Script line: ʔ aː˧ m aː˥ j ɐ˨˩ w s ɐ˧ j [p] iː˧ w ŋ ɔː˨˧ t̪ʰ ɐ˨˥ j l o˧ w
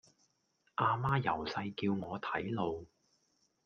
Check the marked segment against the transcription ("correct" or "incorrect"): incorrect